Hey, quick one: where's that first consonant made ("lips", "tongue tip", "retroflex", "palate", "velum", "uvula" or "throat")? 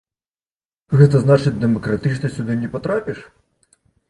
velum